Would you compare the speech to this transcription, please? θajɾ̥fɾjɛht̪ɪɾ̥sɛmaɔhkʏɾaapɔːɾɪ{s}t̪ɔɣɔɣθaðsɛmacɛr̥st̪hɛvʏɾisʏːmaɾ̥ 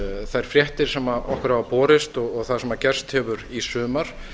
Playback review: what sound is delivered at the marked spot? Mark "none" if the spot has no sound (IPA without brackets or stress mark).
s